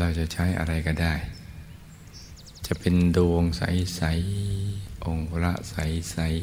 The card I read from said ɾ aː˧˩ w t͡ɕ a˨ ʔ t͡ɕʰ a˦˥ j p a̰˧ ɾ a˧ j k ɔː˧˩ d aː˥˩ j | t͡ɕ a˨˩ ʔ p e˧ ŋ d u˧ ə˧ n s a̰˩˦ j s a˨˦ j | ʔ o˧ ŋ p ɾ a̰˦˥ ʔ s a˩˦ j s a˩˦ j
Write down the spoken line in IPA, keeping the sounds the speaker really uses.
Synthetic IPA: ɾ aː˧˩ w t͡ɕ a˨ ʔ t͡ɕʰ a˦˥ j ʔ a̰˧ ɾ a˧ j k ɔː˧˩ d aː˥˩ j | t͡ɕ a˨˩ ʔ p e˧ n d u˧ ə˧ ŋ s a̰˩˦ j s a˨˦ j | ʔ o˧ ŋ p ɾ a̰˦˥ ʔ s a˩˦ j s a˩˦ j